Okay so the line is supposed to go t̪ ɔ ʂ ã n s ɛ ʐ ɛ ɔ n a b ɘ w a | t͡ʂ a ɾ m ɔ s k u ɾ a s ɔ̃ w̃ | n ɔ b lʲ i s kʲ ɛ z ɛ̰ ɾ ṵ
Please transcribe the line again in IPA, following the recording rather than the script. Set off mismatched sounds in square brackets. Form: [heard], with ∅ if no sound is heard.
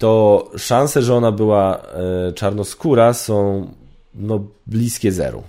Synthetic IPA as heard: t̪ ɔ ʂ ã n s ɛ ʐ ɛ ɔ n a b ɘ w a | t͡ʂ a ɾ [n] ɔ s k u ɾ a s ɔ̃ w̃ | n ɔ b lʲ i s kʲ ɛ z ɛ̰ ɾ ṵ